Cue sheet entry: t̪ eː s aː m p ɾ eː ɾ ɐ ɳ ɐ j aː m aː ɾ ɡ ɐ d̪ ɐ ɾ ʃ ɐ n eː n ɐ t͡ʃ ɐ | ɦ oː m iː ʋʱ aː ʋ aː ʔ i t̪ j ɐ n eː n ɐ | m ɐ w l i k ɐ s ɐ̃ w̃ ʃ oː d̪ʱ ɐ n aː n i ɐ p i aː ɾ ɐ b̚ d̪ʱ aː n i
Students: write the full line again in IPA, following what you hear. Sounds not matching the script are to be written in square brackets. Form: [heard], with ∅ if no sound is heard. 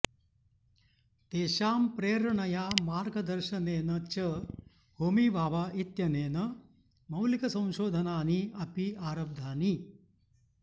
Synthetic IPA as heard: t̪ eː [ʃ] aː m p ɾ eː ɾ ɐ ɳ ɐ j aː m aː ɾ ɡ ɐ d̪ ɐ ɾ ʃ ɐ n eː n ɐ t͡ʃ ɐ | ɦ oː m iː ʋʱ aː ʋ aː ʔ i t̪ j ɐ n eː n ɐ | m ɐ w l i k ɐ s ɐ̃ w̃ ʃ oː d̪ʱ ɐ n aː n i ɐ p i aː ɾ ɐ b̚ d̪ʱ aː n i